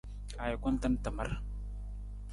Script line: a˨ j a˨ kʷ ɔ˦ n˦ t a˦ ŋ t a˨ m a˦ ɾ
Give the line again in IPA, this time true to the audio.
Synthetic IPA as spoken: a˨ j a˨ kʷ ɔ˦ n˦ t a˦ n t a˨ m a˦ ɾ